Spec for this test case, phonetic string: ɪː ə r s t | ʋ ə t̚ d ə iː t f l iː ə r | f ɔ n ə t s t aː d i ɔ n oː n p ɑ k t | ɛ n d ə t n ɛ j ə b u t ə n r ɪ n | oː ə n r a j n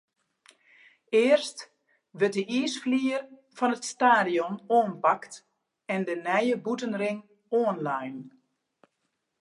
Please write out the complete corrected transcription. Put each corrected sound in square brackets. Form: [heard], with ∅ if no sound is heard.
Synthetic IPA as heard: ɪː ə r s t | ʋ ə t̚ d ə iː [s] f l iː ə r | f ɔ n ə t s t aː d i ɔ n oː n p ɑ k t | ɛ n d ə [∅] n ɛ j ə b u t ə n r ɪ [ŋ] | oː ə n [l] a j n